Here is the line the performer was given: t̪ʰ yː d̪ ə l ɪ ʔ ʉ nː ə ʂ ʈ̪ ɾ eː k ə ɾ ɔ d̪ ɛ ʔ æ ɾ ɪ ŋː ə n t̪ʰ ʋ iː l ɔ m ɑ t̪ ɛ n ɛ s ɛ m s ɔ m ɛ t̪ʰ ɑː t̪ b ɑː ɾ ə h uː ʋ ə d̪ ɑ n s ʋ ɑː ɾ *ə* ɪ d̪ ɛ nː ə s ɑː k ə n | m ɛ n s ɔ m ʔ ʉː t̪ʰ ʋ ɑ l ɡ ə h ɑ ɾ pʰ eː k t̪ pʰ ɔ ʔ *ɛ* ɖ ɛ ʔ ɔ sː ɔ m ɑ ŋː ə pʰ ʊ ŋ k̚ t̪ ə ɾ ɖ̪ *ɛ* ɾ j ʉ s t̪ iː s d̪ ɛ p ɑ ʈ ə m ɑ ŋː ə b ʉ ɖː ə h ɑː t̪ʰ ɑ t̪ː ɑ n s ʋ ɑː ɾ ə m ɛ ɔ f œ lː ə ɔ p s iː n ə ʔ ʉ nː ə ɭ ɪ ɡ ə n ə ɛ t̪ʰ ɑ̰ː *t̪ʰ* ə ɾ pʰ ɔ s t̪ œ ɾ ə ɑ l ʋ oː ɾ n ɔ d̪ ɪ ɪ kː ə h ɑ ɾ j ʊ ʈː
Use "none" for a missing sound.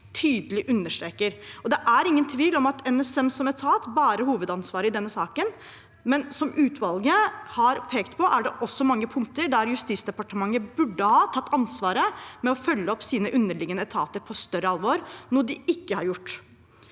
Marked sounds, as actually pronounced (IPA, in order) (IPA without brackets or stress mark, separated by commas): ə, æ, æ, t̪